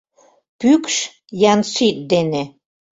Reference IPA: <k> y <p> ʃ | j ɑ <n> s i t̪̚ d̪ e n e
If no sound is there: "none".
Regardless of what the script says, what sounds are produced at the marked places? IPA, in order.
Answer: p, k, n

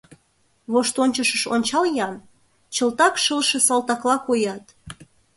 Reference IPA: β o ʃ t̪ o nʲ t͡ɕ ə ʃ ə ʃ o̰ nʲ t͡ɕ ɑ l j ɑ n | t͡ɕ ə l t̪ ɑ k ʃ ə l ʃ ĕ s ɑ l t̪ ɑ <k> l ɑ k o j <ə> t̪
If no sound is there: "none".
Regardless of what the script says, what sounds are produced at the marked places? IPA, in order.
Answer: k, ɑ

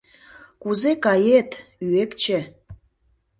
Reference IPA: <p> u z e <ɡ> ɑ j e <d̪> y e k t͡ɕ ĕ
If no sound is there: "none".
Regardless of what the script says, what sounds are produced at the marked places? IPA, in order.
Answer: k, k, t̪

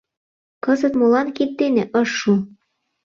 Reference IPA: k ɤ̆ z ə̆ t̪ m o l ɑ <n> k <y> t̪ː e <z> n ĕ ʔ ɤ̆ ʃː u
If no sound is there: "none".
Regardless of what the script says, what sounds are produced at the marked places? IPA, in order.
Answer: n, i, none

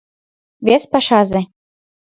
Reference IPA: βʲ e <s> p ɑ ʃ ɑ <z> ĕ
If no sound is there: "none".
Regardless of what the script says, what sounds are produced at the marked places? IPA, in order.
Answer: s, z

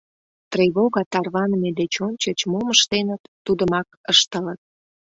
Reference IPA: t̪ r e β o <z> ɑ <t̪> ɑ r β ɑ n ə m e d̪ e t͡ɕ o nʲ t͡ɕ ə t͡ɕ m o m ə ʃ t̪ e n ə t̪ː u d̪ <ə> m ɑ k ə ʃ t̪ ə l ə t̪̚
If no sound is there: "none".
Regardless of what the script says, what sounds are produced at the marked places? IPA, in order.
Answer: ɣ, t̪, ə

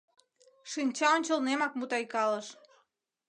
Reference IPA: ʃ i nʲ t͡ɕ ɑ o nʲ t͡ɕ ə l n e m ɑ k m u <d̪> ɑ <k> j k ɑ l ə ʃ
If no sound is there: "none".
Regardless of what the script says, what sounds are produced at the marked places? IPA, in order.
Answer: t̪, none

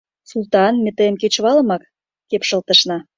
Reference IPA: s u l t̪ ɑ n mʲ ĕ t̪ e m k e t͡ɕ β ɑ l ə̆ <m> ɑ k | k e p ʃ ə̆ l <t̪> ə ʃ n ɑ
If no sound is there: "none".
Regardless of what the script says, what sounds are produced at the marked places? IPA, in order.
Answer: m, t̪

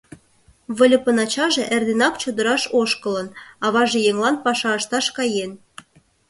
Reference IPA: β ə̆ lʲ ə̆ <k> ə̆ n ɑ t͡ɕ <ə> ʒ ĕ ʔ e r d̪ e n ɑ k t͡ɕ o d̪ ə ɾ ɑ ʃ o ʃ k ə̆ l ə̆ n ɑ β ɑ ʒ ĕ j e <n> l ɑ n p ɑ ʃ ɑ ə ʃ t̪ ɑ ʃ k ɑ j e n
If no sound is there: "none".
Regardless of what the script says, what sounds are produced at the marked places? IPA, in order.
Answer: p, ɑ, ŋ

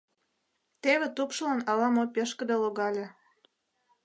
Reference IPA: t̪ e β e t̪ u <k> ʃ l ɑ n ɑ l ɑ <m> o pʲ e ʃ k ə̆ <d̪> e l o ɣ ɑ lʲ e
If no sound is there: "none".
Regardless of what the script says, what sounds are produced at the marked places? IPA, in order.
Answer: p, m, d̪

